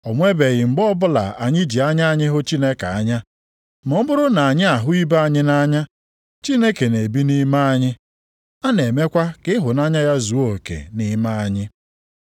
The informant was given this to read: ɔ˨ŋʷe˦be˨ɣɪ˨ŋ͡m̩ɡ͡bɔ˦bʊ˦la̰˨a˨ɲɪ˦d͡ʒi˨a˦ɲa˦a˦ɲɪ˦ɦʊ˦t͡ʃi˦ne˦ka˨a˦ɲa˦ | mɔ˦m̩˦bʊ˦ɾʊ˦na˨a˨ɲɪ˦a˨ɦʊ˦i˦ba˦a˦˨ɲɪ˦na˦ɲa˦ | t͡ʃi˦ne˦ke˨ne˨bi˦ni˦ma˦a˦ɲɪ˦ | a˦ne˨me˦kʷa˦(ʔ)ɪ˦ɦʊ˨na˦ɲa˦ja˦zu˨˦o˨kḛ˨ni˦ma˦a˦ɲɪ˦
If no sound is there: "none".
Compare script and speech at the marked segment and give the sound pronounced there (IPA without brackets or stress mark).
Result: k